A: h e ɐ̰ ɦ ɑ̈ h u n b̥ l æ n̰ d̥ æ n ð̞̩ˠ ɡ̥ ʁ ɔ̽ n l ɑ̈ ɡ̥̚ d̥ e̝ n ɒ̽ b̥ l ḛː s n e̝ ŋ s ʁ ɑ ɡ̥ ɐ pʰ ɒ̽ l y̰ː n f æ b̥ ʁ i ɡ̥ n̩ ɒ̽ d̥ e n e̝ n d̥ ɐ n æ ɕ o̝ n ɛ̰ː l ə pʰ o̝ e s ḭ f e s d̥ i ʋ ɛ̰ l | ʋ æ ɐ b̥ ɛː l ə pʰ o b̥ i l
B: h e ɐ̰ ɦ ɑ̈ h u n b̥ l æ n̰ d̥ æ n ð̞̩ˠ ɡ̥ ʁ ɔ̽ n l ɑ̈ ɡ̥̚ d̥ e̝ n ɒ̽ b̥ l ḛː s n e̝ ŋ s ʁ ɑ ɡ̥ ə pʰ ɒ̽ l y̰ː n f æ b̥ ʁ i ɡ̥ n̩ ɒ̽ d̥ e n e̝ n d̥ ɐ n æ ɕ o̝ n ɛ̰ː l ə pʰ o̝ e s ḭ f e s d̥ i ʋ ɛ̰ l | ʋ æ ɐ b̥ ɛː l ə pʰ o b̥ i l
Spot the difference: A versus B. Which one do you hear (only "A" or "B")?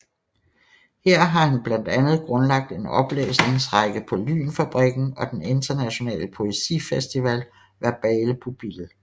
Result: B